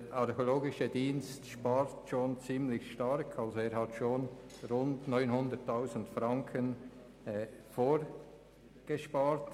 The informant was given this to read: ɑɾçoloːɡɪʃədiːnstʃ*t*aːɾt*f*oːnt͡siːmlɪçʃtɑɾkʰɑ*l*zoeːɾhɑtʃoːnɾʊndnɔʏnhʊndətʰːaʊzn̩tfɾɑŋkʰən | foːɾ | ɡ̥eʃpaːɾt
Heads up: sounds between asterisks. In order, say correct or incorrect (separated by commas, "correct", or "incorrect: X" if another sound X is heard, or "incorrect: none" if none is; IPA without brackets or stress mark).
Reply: incorrect: p, incorrect: ʃ, correct